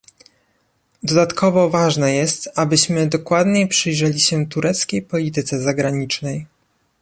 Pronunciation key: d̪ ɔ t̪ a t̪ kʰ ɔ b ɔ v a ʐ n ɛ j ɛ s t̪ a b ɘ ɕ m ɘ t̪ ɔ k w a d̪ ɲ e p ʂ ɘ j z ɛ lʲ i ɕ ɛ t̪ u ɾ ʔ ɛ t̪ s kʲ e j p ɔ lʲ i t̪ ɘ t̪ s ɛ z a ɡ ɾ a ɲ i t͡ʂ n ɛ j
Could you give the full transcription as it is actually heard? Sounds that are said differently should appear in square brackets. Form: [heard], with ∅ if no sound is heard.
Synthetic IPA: d̪ ɔ [d̪] a t̪ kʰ ɔ [v] ɔ v a ʐ n ɛ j ɛ s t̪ a b ɘ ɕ m ɘ [d̪] ɔ k w a d̪ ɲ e p ʂ ɘ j [ʐ] ɛ lʲ i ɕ ɛ t̪ u ɾ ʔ ɛ t̪ s kʲ e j p ɔ lʲ i t̪ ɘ t̪ s ɛ z a ɡ ɾ a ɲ i t͡ʂ n ɛ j